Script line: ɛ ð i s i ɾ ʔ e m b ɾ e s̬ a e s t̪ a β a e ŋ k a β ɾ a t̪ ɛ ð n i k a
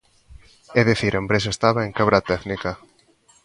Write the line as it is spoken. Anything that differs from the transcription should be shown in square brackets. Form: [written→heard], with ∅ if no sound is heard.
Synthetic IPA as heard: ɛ ð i [s→θ] i ɾ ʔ e m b ɾ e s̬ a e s t̪ a β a e ŋ k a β ɾ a t̪ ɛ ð n i k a